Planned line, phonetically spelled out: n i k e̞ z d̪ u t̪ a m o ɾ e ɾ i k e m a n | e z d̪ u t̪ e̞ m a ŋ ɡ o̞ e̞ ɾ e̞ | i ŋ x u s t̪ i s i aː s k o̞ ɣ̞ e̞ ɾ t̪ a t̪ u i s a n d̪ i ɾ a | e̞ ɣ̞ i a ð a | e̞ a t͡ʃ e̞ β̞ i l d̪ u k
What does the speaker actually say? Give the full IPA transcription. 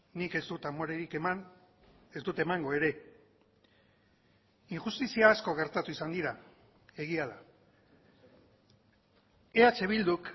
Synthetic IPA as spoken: n i k e̞ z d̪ u t̪ a m o ɾ e ɾ i k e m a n | e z d̪ u t̪ e̞ m a ŋ ɡ o̞ e̞ ɾ e̞ | i ŋ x u s t̪ i s i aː s k o̞ ɣ̞ e̞ ɾ t̪ a t̪ u i s a n d̪ i ɾ a | e̞ ɣ̞ i a ð a | e̞ a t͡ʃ e̞ β̞ i l d̪ u k

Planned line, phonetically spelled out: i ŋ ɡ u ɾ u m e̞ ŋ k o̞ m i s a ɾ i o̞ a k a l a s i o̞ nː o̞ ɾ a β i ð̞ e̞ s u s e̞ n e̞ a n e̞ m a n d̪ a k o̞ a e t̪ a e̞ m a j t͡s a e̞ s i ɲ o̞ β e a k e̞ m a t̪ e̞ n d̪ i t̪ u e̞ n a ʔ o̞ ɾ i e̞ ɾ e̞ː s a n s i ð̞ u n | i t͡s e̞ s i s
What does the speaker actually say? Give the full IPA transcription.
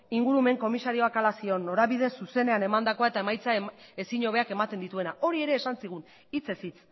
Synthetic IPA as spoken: i ŋ ɡ u ɾ u m e̞ ŋ k o̞ m i s a ɾ i o̞ a k a l a s i o̞ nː o̞ ɾ a β i ð̞ e̞ s u s e̞ n e̞ a n e̞ m a n d̪ a k o̞ a e t̪ a e̞ m a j t͡s a e̞ s i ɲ o̞ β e a k e̞ m a t̪ e̞ n d̪ i t̪ u e̞ n a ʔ o̞ ɾ i e̞ ɾ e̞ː s a n s i ɣ̞ u n | i t͡s e̞ s i t͡s

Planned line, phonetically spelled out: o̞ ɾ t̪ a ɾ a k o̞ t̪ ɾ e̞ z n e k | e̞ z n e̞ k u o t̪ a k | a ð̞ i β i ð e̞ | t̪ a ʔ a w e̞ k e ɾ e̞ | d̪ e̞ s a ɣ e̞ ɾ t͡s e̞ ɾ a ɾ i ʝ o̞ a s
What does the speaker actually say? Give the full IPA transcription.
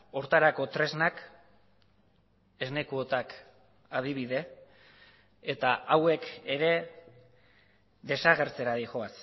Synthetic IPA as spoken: o̞ ɾ t̪ a ɾ a k o̞ t̪ ɾ e̞ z n a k | e̞ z n e̞ k u o t̪ a k | a ð̞ i β i ð e̞ | t̪ a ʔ a w e̞ k e ɾ e̞ | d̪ e̞ s a ɣ e̞ ɾ t͡s e̞ ɾ a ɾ i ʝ o̞ a s

